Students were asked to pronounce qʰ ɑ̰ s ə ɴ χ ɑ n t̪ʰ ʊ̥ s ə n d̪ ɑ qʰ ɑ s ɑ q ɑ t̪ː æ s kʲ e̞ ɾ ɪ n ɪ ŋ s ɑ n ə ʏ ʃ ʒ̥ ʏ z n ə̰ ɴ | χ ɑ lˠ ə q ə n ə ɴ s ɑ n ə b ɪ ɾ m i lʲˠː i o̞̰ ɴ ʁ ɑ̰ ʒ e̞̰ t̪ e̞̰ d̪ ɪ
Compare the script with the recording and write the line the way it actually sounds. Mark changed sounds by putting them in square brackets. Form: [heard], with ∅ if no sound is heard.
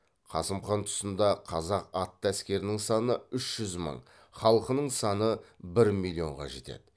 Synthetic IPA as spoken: qʰ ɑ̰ s ə [m] χ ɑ n t̪ʰ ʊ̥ s ə n d̪ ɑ qʰ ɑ [z] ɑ q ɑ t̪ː æ s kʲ e̞ ɾ ɪ n ɪ ŋ s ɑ n ə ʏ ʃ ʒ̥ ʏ z [m] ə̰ ɴ | χ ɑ lˠ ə q ə n ə ɴ s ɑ n ə b ɪ ɾ m i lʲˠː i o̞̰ ɴ ʁ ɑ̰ ʒ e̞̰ t̪ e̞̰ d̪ ɪ

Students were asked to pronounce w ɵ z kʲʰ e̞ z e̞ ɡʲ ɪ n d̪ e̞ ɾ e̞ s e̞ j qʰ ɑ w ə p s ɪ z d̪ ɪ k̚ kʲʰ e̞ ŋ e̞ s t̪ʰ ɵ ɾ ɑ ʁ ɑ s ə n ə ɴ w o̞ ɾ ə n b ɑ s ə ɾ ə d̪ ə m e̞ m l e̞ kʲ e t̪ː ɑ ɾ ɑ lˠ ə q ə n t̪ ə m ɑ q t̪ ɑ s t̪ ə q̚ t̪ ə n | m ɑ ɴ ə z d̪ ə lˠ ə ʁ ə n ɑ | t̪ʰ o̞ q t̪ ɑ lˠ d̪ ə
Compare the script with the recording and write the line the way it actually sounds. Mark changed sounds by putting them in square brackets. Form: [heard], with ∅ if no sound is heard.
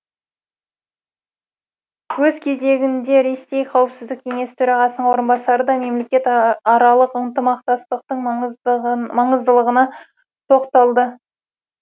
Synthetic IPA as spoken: w ɵ z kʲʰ e̞ z e̞ ɡʲ ɪ n d̪ e̞ ɾ e̞ s e̞ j qʰ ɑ w ə p s ɪ z d̪ ɪ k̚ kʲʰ e̞ ŋ e̞ s t̪ʰ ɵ ɾ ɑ ʁ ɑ s ə n ə ɴ w o̞ ɾ ə n b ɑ s [ɑ] ɾ ə d̪ [ɑ] m e̞ m l e̞ kʲ e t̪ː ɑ ɾ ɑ lˠ ə q ə n t̪ ə m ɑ q t̪ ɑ s t̪ ə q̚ t̪ ə [ɴ] | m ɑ ɴ ə z d̪ ə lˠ ə ʁ ə n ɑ | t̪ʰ o̞ q t̪ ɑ lˠ d̪ ə

